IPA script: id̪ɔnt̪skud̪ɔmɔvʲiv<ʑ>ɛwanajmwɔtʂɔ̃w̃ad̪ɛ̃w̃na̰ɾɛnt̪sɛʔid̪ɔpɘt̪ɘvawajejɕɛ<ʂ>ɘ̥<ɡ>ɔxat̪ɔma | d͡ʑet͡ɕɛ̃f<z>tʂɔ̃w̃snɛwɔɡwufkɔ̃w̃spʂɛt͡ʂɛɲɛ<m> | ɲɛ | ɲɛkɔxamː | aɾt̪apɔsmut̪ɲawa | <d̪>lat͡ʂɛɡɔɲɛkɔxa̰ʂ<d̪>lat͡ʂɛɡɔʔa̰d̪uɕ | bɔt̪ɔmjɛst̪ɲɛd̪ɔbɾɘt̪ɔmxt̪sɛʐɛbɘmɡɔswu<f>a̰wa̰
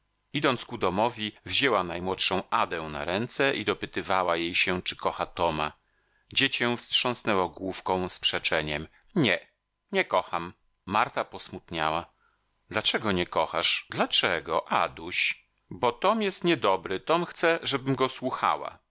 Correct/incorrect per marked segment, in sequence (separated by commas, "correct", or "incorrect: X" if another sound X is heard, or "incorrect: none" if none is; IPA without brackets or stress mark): correct, incorrect: t͡ʂ, incorrect: k, incorrect: s, correct, correct, correct, incorrect: x